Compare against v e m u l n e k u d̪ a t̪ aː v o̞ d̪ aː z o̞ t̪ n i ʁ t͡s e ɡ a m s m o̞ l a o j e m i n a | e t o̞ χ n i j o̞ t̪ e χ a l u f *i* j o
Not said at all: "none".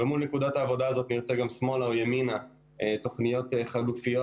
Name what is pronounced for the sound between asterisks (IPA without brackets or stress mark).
i